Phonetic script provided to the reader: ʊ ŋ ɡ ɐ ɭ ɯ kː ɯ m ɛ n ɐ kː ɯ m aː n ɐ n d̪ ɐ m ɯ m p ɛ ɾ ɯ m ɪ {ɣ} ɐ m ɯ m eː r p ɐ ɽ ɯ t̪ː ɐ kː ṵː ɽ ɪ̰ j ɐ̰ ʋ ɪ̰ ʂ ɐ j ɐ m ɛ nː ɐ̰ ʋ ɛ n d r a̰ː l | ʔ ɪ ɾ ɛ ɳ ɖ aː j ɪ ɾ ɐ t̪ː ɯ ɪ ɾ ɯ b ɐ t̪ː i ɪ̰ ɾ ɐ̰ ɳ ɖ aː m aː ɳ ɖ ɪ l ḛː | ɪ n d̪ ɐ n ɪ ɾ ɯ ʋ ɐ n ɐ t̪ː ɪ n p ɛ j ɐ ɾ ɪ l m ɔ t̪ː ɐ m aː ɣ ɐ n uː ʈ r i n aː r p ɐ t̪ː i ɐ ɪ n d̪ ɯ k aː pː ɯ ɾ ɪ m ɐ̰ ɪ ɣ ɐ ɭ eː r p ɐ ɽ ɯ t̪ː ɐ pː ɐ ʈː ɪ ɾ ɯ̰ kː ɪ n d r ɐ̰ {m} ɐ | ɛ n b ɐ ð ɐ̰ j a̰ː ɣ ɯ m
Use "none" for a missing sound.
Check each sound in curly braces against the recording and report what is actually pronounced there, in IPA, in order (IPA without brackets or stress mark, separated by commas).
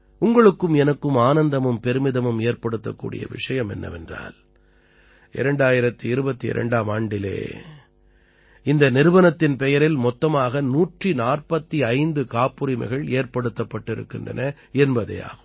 ð, n